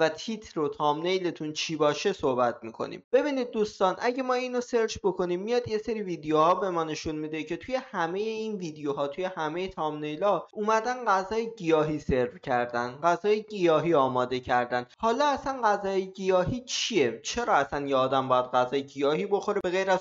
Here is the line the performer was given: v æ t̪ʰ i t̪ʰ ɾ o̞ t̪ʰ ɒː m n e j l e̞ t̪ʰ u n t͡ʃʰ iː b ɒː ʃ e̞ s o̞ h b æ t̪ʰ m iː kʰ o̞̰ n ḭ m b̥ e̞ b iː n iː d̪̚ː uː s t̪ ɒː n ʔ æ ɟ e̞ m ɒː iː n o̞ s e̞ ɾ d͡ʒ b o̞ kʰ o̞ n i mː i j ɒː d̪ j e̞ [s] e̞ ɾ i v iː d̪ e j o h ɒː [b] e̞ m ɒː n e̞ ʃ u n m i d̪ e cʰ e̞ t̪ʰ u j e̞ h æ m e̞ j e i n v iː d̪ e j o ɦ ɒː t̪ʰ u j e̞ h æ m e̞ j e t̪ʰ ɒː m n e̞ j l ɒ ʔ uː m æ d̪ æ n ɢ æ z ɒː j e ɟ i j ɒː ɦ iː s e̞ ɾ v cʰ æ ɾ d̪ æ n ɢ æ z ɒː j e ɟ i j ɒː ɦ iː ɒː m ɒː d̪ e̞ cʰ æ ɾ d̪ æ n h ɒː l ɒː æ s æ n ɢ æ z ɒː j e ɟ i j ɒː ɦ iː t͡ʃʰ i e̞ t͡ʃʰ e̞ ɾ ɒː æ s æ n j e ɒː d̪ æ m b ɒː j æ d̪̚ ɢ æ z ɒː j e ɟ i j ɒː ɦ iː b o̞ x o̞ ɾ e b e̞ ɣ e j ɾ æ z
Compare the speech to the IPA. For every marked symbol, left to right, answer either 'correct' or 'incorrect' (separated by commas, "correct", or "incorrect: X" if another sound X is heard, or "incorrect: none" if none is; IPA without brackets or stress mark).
correct, correct